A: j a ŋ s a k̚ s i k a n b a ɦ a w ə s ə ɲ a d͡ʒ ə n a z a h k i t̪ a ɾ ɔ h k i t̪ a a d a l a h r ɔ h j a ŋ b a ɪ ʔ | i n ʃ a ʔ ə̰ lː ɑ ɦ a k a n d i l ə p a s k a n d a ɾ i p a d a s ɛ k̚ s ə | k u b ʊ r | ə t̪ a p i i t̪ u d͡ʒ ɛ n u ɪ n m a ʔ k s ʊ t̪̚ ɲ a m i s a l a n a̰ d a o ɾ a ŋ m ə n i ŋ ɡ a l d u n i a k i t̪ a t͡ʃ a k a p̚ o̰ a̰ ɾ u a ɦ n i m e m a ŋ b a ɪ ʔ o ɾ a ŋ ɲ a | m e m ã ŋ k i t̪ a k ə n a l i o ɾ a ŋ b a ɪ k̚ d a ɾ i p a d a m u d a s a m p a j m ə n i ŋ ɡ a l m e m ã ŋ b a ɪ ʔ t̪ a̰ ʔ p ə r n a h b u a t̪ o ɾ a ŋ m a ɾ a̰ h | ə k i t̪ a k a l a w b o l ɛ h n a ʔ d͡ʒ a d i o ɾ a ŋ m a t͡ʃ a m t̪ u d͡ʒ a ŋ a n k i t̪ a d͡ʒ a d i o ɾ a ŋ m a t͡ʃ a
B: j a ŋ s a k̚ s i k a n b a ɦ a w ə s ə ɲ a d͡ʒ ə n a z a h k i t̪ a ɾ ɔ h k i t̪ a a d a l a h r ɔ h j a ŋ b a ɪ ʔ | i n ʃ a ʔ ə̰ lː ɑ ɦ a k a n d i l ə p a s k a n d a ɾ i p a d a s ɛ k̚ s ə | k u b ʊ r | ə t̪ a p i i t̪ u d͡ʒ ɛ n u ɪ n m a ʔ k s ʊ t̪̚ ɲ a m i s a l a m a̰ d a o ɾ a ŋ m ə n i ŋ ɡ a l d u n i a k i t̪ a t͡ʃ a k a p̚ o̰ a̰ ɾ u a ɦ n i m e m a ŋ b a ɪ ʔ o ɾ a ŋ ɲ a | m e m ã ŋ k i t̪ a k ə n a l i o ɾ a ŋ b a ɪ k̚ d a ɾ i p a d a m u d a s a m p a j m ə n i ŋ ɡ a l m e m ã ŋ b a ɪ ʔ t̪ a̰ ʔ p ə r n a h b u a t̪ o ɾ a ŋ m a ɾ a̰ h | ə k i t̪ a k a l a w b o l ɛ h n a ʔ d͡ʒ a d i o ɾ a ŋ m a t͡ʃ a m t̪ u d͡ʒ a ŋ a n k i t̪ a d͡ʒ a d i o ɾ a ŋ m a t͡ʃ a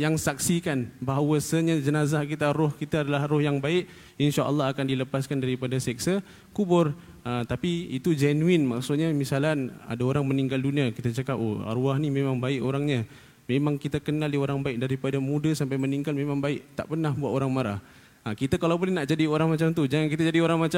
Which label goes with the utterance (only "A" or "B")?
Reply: A